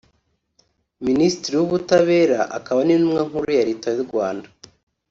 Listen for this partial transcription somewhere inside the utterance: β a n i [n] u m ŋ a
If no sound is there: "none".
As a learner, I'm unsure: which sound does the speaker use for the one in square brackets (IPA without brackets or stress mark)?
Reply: n